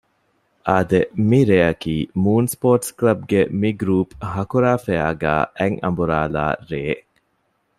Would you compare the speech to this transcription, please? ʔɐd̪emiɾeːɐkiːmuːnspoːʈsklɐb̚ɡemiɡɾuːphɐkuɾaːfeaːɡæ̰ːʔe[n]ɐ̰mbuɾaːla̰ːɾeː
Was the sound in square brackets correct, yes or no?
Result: no